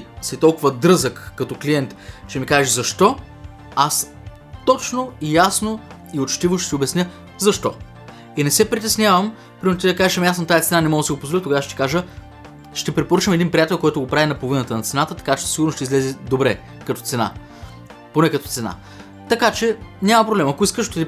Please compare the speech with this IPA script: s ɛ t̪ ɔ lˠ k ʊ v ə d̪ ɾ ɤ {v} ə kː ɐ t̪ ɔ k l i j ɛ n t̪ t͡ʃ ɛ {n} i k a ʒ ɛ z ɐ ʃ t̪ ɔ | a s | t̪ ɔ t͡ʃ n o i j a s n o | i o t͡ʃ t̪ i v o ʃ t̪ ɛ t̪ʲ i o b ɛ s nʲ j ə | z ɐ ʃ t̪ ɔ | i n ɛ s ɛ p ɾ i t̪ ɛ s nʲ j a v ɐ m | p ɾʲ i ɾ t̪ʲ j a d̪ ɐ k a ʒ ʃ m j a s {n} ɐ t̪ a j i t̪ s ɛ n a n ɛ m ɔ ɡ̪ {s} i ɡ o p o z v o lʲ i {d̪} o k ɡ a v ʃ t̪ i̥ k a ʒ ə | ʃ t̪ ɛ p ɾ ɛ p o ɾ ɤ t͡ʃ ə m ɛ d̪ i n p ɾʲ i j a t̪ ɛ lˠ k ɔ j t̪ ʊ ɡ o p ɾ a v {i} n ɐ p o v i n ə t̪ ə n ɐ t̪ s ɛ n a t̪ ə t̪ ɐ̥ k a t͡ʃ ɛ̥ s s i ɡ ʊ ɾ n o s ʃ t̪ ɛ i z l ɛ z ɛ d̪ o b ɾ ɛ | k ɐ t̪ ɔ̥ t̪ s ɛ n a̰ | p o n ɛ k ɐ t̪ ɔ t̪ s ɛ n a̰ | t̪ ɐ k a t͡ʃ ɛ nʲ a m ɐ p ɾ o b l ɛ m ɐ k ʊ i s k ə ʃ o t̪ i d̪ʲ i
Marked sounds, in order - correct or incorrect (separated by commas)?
incorrect, incorrect, correct, correct, incorrect, correct